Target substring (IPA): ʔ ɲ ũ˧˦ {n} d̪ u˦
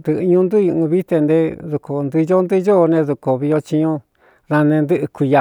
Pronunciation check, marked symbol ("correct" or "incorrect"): correct